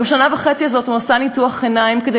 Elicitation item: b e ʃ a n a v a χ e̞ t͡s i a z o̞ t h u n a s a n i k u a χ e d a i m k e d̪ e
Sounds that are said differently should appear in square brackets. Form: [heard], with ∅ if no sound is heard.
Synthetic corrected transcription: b e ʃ a n a v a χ e̞ t͡s i a z o̞ t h u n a s a n i [t] u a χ e [n] a i m k e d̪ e